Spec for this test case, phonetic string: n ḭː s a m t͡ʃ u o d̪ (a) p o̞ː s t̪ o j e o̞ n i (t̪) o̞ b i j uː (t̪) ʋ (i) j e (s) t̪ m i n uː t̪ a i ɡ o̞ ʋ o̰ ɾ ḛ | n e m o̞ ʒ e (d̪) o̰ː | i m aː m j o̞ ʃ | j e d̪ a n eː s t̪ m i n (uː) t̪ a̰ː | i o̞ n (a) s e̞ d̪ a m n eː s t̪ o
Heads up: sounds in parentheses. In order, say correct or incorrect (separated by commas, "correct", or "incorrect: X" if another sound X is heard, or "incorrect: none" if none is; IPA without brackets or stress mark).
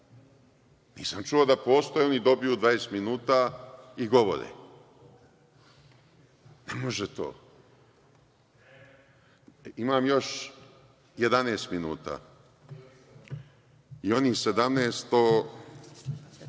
correct, incorrect: d̪, incorrect: d̪, incorrect: a, correct, incorrect: t̪, correct, incorrect: i